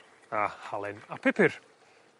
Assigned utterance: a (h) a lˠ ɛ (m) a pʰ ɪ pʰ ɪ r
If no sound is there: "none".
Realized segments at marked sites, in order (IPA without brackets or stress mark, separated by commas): h, n